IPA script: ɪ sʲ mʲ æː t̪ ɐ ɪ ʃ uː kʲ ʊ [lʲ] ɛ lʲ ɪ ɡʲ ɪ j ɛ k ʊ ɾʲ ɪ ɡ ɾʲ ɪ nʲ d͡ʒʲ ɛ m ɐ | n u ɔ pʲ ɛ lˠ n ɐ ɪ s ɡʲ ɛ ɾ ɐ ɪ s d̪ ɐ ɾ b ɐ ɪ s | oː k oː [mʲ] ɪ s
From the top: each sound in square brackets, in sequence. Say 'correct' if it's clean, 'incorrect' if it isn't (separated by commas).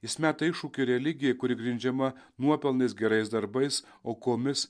incorrect, correct